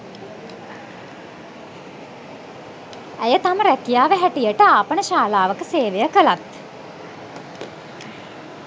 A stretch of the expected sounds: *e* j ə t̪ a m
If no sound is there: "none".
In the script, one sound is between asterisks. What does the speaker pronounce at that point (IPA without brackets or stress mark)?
æ